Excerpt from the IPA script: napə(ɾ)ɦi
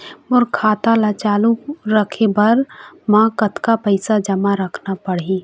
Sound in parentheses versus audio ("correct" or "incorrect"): incorrect